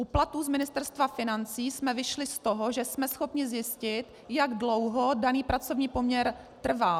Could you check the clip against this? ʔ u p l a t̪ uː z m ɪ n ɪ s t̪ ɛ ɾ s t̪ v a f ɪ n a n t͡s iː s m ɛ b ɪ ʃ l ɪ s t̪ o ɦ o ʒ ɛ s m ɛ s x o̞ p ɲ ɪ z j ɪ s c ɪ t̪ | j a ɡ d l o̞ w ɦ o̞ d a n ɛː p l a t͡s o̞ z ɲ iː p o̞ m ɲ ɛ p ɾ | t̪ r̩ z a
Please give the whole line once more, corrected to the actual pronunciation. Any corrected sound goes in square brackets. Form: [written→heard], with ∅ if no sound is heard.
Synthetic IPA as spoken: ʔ u p l a t̪ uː z m ɪ n ɪ s t̪ ɛ ɾ s t̪ v a f ɪ n a n t͡s iː s m ɛ [b→v] ɪ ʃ l ɪ s t̪ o ɦ o ʒ ɛ s m ɛ s x o̞ p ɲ ɪ z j ɪ s c ɪ t̪ | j a ɡ d l o̞ w ɦ o̞ d a n [ɛː→iː] p [l→ɾ] a t͡s o̞ [z→v] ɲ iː p o̞ m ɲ ɛ [p→∅] ɾ | t̪ r̩ [z→v] a